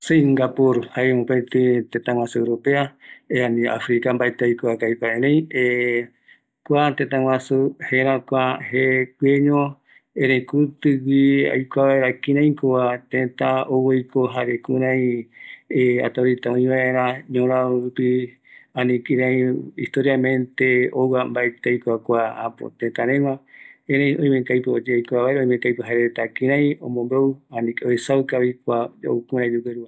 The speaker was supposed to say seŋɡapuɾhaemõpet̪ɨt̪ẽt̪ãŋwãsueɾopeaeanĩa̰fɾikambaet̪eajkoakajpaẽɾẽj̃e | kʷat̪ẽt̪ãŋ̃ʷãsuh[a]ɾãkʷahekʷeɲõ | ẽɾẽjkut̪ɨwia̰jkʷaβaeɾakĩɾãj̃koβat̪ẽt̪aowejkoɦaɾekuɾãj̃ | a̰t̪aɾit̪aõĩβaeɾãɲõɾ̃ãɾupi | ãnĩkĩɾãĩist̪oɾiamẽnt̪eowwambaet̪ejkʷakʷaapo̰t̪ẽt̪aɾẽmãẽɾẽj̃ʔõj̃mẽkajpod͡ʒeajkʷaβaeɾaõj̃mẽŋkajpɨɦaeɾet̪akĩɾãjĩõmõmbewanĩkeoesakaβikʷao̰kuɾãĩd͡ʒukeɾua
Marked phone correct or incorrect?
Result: incorrect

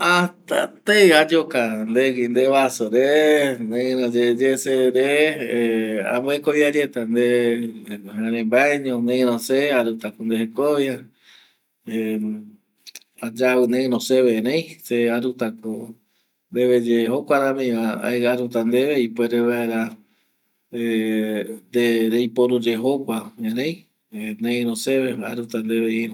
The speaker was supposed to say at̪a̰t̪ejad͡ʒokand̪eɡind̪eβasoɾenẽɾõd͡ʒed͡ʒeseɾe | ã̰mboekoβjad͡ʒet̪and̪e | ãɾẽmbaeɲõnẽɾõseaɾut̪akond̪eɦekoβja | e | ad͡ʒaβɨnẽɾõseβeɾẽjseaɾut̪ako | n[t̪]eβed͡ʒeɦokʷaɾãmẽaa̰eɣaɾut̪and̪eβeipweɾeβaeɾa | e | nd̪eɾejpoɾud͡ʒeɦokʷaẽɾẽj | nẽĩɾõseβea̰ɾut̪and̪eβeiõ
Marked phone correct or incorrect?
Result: incorrect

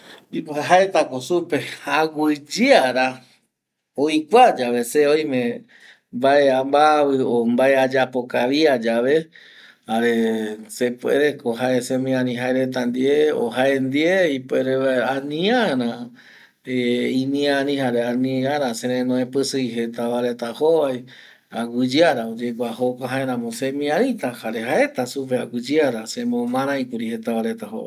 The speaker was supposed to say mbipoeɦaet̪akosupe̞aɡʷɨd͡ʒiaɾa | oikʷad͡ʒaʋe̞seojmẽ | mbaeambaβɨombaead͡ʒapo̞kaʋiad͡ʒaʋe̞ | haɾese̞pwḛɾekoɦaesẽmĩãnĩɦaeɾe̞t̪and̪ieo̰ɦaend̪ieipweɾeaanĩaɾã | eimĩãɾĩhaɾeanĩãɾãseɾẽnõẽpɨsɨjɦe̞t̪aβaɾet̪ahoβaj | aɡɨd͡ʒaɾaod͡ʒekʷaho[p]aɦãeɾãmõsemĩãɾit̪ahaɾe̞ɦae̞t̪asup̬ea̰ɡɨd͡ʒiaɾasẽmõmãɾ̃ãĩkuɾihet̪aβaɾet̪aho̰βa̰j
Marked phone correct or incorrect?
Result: incorrect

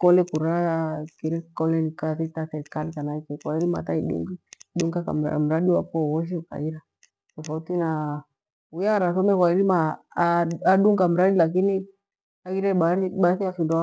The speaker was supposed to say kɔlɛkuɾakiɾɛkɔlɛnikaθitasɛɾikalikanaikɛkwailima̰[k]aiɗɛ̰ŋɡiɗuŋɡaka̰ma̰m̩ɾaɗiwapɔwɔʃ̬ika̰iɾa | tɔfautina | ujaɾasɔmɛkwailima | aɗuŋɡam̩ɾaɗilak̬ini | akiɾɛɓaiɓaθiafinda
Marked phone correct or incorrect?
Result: incorrect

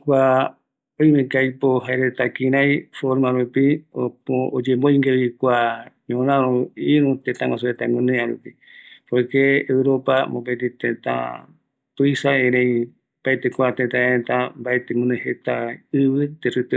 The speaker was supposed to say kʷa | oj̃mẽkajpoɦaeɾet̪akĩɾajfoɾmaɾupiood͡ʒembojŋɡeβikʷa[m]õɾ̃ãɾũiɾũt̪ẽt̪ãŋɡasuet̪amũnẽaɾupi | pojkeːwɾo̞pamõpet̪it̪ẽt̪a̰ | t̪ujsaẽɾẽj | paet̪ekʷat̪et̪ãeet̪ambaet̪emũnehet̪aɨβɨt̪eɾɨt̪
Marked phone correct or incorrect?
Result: incorrect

